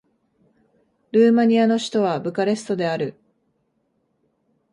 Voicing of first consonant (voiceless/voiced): voiced